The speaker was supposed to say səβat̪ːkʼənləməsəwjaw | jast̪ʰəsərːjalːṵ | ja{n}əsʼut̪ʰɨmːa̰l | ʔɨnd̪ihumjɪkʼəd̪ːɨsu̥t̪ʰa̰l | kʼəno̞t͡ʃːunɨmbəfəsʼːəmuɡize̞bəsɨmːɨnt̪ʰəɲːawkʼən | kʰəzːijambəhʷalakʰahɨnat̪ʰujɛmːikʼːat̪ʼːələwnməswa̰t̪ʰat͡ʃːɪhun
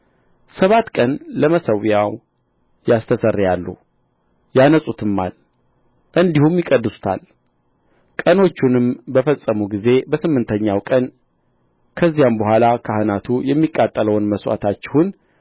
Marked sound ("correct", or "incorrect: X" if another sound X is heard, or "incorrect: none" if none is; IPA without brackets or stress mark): correct